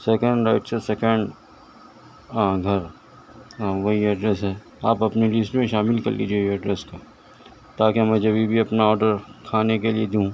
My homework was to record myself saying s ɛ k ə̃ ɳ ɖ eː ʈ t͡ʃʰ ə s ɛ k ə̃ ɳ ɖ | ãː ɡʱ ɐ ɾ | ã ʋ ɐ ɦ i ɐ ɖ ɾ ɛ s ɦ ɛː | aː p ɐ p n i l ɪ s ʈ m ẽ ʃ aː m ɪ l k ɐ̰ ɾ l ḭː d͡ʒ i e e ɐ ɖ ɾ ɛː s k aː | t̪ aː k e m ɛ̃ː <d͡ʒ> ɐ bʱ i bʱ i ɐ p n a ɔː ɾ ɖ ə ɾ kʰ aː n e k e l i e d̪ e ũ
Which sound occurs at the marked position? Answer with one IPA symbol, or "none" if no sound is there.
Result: d͡ʒ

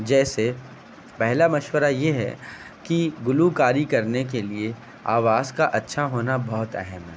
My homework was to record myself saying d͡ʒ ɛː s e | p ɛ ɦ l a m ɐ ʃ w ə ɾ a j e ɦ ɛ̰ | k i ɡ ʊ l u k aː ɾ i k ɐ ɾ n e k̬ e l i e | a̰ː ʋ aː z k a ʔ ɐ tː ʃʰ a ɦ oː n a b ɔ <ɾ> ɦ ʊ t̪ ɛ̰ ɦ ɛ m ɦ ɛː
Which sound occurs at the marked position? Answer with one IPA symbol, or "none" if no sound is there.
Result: none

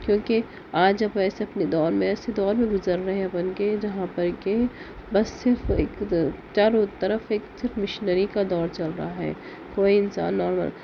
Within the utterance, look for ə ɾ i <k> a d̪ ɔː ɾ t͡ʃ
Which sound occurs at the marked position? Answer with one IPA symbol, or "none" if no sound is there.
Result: k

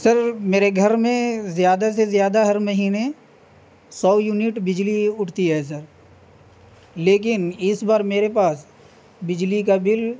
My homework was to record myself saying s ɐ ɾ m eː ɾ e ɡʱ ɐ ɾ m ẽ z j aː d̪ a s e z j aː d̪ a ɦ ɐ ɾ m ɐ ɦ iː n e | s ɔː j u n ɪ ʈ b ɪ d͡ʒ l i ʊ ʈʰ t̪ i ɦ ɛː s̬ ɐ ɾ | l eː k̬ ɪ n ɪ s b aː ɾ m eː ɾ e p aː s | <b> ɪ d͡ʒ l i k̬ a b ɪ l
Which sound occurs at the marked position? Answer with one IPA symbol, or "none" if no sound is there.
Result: b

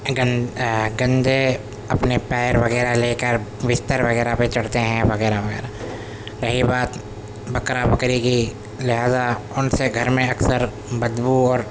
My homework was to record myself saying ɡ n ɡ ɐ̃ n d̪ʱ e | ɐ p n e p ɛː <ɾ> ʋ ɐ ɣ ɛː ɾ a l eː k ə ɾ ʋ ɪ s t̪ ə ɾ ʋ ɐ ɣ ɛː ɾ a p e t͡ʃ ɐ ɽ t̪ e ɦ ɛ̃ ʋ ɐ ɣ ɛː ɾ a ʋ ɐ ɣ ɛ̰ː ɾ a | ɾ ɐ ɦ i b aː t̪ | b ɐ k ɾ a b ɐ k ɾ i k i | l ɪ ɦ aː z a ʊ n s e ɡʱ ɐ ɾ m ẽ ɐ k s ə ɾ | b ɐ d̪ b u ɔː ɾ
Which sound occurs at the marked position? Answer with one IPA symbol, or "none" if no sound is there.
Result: ɾ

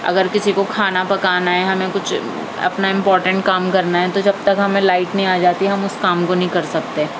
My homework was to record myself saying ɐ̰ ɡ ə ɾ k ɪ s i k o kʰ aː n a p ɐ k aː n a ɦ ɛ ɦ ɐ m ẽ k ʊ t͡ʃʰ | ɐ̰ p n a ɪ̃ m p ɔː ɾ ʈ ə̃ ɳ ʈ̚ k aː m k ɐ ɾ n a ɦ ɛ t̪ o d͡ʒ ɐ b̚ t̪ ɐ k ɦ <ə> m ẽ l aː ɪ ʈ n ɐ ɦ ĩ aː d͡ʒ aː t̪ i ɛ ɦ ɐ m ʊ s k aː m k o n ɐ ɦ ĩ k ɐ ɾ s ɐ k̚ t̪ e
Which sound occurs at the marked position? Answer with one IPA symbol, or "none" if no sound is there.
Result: ɐ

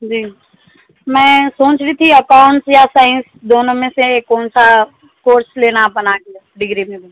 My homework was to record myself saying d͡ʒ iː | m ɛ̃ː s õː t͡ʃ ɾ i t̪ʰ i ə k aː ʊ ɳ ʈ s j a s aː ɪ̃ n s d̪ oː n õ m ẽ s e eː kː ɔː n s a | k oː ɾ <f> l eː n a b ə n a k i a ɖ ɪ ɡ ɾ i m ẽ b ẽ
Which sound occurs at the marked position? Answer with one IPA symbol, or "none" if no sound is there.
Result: s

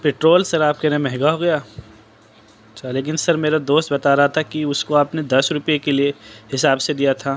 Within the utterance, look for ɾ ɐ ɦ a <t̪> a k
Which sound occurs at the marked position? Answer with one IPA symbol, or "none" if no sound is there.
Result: t̪ʰ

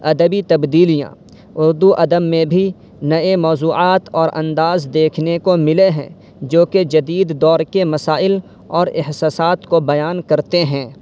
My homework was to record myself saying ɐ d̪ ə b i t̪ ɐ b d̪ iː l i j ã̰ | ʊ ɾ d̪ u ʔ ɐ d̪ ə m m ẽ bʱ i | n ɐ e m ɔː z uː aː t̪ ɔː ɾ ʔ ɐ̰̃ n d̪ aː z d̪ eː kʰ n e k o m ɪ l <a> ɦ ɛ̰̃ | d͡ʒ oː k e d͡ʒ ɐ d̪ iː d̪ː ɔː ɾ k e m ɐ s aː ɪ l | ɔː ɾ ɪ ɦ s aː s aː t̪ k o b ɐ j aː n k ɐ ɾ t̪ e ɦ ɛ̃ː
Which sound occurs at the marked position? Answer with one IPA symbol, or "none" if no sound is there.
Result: e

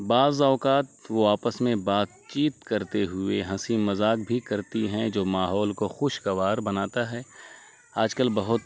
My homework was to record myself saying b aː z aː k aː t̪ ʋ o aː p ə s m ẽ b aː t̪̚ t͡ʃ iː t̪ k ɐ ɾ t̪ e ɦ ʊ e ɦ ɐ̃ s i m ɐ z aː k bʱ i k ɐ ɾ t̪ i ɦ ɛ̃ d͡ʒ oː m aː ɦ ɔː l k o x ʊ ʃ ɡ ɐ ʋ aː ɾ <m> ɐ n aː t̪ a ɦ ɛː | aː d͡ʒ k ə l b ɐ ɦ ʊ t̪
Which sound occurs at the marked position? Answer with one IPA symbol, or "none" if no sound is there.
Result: b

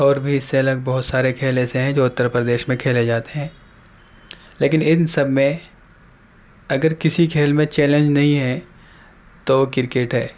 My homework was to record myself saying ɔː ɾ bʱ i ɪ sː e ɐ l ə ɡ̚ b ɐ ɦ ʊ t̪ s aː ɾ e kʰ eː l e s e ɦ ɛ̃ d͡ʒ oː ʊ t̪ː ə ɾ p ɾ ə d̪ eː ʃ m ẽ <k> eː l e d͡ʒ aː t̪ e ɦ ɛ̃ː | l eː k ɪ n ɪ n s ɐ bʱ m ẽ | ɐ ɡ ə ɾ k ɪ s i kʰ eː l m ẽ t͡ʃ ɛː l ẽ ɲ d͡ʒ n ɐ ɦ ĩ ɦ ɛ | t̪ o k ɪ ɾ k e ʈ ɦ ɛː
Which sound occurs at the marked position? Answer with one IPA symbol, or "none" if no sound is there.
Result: kʰ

